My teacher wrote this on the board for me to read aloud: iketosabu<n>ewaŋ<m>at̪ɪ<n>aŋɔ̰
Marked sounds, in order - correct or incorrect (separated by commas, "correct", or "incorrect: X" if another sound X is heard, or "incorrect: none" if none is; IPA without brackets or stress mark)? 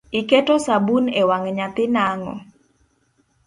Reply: correct, incorrect: ɲ, correct